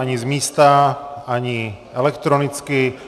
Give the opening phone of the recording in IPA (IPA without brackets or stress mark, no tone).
a